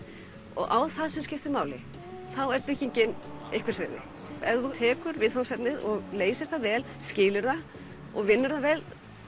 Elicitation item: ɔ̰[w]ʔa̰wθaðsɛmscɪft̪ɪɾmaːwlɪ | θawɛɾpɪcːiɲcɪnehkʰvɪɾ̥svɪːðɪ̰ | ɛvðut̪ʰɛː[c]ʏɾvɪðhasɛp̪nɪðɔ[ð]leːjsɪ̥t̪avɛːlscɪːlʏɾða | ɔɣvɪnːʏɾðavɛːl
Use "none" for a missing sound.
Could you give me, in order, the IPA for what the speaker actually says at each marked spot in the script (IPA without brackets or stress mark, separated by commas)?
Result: ɣ, k, ɣ